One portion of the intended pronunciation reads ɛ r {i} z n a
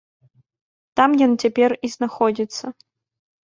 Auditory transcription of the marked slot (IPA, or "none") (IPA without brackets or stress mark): i